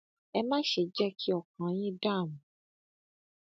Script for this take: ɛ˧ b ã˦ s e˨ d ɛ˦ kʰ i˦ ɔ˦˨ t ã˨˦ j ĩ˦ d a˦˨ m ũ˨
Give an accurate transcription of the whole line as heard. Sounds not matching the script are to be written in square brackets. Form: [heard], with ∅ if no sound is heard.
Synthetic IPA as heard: ɛ˧ [m] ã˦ [ʃ] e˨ [d͡ʒ] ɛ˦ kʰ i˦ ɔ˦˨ [k] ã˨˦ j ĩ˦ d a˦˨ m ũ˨